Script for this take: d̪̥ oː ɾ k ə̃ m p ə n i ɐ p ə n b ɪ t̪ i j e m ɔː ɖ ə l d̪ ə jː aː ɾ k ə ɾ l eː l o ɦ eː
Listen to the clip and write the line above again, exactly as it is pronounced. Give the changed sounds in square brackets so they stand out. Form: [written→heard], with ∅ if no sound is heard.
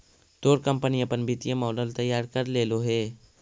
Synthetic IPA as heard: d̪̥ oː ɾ k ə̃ m p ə n i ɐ p ə n b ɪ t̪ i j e m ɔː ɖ ə l [d̪→t̪] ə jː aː ɾ k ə ɾ l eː l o ɦ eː